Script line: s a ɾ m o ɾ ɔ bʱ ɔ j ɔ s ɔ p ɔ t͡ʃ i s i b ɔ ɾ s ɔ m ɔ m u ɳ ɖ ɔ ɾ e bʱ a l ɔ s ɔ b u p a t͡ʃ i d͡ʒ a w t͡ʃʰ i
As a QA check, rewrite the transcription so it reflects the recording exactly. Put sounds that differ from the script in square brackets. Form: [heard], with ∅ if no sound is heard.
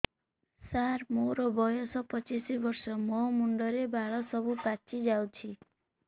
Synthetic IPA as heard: s a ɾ m o ɾ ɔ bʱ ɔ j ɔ s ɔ p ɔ t͡ʃ i s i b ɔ ɾ s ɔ m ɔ m u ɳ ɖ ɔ ɾ e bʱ a [ɭ] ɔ s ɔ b u p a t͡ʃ i d͡ʒ a w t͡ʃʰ i